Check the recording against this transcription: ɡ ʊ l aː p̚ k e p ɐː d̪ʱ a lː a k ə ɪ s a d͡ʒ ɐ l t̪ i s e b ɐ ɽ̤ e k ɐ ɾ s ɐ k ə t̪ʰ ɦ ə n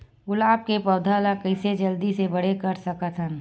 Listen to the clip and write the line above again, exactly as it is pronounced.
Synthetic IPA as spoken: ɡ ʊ l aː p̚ k e p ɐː d̪ʱ a l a k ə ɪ s e d͡ʒ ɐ l d̪ i s e b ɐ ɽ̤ e k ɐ ɾ s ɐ k ə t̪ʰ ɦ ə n